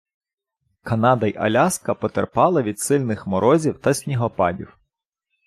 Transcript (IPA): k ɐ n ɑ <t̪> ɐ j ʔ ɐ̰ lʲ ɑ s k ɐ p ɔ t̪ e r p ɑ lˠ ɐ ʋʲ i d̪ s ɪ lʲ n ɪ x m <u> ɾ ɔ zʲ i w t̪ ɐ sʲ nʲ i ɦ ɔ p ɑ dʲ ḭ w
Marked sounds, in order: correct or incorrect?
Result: incorrect, incorrect

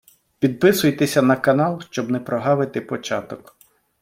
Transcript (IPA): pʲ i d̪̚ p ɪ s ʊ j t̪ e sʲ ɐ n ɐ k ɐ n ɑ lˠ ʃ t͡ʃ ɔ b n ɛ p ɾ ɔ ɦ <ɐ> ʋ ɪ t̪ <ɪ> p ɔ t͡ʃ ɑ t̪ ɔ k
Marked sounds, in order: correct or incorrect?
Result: incorrect, correct

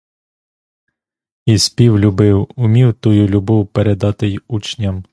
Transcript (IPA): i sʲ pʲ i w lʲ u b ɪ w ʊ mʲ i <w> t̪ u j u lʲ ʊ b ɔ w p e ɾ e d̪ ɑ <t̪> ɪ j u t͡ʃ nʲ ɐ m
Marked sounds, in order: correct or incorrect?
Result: correct, correct

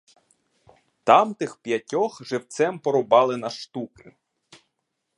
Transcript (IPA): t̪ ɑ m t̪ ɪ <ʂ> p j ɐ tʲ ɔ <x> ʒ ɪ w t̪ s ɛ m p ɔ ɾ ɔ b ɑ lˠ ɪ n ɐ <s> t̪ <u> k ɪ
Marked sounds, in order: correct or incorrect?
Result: incorrect, correct, incorrect, correct

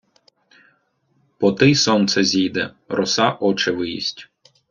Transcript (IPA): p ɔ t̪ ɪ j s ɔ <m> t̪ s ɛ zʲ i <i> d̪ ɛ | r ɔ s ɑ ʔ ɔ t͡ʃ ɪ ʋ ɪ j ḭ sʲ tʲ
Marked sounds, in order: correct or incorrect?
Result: incorrect, incorrect

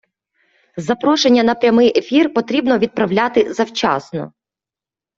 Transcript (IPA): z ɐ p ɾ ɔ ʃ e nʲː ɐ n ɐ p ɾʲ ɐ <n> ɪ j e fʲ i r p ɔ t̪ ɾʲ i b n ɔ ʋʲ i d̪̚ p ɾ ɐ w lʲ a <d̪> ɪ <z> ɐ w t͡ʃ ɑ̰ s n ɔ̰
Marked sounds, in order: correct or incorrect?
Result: incorrect, incorrect, correct

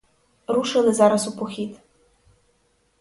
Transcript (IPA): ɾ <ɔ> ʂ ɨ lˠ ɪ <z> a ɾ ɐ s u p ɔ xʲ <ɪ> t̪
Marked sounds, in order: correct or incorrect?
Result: incorrect, correct, incorrect

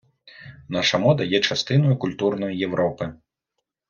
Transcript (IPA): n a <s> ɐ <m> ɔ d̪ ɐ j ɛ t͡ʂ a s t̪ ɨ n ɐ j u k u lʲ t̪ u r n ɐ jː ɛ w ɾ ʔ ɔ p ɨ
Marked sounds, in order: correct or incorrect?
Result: incorrect, correct

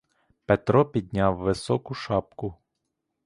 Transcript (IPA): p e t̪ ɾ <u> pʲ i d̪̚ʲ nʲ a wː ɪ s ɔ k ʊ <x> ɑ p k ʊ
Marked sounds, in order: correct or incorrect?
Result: incorrect, incorrect

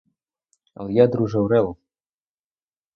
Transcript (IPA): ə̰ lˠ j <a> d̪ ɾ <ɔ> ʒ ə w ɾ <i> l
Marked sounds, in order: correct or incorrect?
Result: correct, incorrect, incorrect

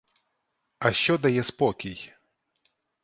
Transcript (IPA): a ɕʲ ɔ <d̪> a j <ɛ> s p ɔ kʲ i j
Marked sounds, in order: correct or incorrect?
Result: correct, correct

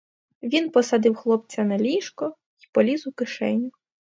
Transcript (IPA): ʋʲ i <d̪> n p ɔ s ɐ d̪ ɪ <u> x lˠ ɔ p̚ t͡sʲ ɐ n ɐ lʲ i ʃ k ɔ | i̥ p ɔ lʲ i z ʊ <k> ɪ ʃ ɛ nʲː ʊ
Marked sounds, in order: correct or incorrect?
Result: incorrect, incorrect, correct

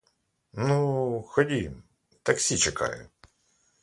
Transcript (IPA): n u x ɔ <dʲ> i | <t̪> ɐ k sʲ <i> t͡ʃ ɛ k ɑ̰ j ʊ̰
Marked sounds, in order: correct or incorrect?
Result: correct, correct, correct

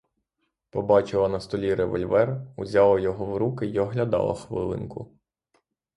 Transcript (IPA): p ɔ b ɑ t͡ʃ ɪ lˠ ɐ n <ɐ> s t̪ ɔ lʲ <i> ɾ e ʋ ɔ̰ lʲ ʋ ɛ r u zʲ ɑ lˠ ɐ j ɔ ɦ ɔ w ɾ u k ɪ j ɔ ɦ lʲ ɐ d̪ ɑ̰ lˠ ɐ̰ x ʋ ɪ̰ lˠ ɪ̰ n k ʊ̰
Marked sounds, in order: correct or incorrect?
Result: correct, correct

